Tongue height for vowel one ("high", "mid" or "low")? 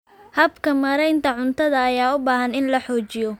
low